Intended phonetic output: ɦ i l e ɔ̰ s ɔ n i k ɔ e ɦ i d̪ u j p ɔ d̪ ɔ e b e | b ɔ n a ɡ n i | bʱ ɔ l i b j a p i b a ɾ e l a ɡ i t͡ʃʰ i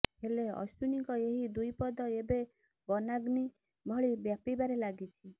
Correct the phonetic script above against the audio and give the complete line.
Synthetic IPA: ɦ e l e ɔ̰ s u n i k ɔ e ɦ i d̪ u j p ɔ d̪ ɔ e b e | b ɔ n a ɡ n i | bʱ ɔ ɭ i b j a p i b a ɾ e l a ɡ i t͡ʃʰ i

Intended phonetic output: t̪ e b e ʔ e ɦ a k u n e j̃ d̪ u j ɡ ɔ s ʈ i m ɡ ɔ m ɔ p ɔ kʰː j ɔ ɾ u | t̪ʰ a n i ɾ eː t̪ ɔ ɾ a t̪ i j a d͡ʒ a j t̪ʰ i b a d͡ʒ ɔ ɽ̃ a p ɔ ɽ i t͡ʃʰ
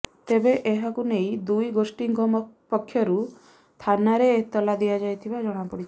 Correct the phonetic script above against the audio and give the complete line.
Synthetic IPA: t̪ e b e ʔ e ɦ a k u n e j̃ d̪ u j ɡ o s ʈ i ŋ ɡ ɔ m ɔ p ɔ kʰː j ɔ ɾ u | t̪ʰ a n a ɾ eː t̪ ɔ l a d̪ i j a d͡ʒ a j t̪ʰ i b a d͡ʒ ɔ ɽ̃ a p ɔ ɽ i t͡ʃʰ

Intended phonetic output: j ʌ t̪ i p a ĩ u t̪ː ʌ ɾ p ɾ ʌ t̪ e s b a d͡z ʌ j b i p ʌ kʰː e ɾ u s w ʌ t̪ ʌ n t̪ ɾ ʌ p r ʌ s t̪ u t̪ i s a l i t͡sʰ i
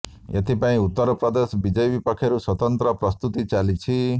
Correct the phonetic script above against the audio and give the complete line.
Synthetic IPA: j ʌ t̪ i p a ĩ u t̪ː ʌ ɾ p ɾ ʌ d̪ e s b i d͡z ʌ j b i p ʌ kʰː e ɾ u s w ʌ t̪ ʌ n t̪ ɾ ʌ p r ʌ s t̪ u t̪ i t͡s a l i t͡sʰ i

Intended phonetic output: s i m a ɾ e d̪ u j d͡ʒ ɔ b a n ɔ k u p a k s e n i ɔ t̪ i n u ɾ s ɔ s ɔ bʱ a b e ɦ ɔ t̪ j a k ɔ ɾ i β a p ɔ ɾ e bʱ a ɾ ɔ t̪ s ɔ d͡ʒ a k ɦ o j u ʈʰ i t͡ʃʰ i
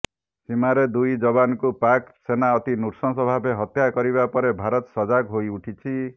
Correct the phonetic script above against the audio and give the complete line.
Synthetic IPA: s i m a ɾ e d̪ u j d͡ʒ ɔ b a n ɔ k u p a k s e n a ɔ t̪ i n u ɾ s ɔ s ɔ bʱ a b e ɦ ɔ t̪ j a k ɔ ɾ i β a p ɔ ɾ e bʱ a ɾ ɔ t̪ s ɔ d͡ʒ a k ɦ o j u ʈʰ i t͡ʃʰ i

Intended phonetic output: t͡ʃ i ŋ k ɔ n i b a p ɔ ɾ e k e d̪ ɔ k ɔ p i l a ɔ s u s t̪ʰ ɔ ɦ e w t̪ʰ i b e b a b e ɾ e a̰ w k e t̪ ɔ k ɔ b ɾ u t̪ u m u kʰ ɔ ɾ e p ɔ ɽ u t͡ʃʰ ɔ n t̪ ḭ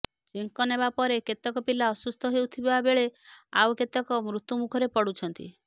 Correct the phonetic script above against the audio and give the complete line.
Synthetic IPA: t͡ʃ i ŋ k ɔ n e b a p ɔ ɾ e k e t̪ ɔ k ɔ p i l a ɔ s u s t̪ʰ ɔ ɦ e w t̪ʰ i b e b a b e ɭ e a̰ w k e t̪ ɔ k ɔ m ɾ u t̪ u m u kʰ ɔ ɾ e p ɔ ɽ u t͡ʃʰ ɔ n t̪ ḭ

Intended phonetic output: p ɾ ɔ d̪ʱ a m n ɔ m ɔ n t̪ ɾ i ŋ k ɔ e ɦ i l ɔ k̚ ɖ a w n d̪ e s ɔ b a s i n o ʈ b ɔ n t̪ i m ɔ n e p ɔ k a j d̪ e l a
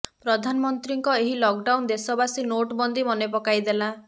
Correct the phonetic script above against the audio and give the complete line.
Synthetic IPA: p ɾ ɔ d̪ʱ a n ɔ m ɔ n t̪ ɾ i ŋ k ɔ e ɦ i l ɔ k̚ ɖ a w n d̪ e s ɔ b a s i n o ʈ b ɔ n d̪ i m ɔ n e p ɔ k a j d̪ e l a

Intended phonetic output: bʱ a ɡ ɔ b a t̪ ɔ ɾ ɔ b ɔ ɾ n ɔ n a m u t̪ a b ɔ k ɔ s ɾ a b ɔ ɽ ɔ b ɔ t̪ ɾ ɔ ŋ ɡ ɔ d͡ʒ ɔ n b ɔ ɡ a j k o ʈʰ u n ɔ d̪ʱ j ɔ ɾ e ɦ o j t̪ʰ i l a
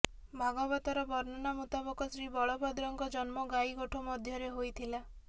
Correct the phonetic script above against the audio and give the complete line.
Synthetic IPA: bʱ a ɡ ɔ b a t̪ ɔ ɾ ɔ b ɔ ɾ n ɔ n a m u t̪ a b ɔ k ɔ s ɾ i b ɔ ɭ ɔ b ɔ d̪ ɾ ɔ ŋ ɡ ɔ d͡ʒ ɔ n m ɔ ɡ a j ɡ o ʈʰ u m ɔ d̪ʱ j ɔ ɾ e ɦ o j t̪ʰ i l a

